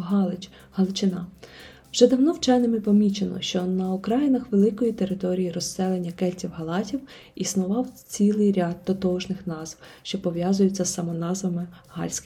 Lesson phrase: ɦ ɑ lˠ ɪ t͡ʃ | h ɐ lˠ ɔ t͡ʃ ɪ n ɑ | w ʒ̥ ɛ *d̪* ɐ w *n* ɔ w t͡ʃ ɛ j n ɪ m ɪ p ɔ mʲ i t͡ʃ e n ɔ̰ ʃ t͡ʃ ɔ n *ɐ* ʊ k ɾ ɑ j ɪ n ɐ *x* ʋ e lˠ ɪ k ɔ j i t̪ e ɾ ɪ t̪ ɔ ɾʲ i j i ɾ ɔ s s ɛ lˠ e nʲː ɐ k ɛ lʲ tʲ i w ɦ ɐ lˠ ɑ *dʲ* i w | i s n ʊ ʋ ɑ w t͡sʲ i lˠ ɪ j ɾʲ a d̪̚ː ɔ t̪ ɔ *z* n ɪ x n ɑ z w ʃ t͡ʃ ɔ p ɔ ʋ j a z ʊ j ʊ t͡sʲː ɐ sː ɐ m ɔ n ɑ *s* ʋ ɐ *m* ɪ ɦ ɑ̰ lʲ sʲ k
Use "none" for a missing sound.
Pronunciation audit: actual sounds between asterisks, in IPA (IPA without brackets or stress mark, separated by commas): d̪, n, ɐ, x, tʲ, ʒ, z, m